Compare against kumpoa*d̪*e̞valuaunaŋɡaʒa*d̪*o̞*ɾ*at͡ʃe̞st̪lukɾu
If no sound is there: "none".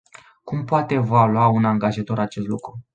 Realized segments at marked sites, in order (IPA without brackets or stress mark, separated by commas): t̪, t̪, ɾ